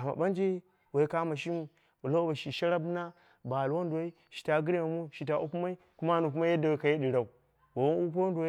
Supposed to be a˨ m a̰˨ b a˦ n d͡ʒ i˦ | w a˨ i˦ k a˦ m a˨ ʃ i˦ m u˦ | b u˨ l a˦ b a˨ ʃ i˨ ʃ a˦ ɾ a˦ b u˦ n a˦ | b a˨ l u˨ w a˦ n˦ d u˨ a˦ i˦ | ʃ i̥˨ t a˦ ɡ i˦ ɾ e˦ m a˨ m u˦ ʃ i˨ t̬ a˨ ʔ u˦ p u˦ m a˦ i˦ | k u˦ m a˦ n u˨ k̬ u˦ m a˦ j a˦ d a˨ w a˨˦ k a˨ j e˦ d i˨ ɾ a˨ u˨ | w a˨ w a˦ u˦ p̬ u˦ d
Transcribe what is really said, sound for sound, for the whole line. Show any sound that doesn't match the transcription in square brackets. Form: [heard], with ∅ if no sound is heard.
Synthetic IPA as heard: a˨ m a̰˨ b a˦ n d͡ʒ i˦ | w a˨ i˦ k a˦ m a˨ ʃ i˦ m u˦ | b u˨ l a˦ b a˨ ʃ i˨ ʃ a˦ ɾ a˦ b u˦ n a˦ | b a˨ l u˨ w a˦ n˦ d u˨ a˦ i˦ | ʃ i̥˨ t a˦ ɡ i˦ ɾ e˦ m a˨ m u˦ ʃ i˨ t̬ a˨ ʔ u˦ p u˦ m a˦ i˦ | k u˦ m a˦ n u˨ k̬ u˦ m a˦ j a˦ d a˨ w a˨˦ k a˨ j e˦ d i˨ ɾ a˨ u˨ | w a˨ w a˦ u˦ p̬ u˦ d